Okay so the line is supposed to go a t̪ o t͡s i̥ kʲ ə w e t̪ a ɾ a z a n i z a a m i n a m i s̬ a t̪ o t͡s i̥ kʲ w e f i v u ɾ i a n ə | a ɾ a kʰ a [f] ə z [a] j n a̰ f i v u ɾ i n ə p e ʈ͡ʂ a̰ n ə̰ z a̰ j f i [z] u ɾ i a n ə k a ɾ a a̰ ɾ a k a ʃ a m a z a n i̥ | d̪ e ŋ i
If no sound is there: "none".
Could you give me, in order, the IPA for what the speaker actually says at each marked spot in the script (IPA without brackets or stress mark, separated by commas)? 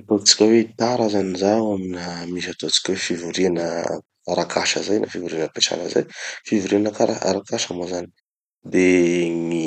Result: ʃ, a, v